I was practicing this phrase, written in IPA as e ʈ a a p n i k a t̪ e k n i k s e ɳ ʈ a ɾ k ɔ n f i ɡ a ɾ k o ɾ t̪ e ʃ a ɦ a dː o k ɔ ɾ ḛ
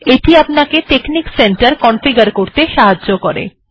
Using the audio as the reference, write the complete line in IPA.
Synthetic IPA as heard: e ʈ i a p n a k e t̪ e k n i k s e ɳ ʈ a ɾ k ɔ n f i ɡ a ɾ k o ɾ t̪ e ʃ a ɦ a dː o k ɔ ɾ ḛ